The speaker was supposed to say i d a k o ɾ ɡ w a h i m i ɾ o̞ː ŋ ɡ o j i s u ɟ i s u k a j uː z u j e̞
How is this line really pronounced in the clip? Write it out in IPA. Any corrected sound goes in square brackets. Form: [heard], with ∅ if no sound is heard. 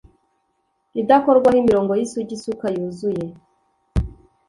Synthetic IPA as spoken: i d a k o ɾ ɡ w a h i m i ɾ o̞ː ŋ ɡ o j i s u ɟ i s u k a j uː z u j e̞